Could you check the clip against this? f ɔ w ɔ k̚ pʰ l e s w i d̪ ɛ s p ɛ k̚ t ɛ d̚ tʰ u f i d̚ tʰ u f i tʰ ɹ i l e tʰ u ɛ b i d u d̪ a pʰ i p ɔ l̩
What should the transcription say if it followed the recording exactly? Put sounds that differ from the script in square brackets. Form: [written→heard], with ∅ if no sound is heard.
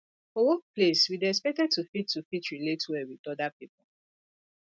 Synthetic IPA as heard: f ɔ w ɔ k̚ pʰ l e s w i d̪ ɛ s p ɛ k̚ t ɛ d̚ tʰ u f i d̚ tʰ u f i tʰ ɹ i l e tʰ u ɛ [b→w] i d [u→ɔ] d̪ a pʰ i p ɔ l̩